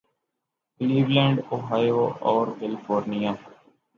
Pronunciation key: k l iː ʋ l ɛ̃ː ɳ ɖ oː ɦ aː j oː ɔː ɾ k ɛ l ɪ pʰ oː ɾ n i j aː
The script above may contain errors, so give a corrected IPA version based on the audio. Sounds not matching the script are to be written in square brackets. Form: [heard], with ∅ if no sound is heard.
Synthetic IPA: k l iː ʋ l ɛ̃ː ɳ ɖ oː ɦ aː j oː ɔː ɾ k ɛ l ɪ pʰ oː ɾ n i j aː